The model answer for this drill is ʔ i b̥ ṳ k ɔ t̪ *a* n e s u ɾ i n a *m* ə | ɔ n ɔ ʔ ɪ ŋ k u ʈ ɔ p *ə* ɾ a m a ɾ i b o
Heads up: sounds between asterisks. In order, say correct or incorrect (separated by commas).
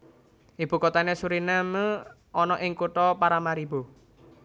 correct, correct, incorrect